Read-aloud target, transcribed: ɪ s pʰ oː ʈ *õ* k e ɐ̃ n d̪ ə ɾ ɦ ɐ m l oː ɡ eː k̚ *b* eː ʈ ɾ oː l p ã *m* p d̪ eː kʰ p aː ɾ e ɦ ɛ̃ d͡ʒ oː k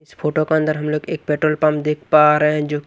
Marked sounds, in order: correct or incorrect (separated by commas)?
incorrect, incorrect, correct